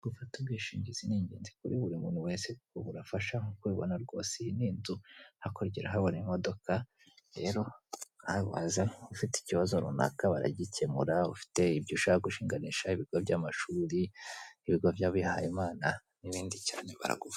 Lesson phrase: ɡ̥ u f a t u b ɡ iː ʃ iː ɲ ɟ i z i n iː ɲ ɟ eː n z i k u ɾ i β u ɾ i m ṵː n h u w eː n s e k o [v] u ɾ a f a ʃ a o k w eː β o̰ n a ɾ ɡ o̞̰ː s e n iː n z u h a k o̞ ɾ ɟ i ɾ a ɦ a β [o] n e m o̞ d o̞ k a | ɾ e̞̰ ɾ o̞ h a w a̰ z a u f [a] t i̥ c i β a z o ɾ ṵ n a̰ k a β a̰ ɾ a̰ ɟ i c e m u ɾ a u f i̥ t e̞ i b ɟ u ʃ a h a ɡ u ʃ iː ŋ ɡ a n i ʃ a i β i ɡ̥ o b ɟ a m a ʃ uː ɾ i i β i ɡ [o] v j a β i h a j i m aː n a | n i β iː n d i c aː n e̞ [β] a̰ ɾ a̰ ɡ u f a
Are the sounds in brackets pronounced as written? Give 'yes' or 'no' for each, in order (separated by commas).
no, yes, no, yes, yes